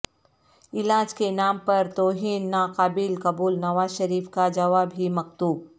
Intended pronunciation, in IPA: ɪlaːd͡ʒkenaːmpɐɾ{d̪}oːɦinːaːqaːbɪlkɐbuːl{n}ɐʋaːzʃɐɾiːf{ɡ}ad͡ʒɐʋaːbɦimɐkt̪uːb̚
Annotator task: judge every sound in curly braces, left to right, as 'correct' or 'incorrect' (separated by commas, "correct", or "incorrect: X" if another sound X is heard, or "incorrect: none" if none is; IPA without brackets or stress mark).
incorrect: t̪, correct, incorrect: k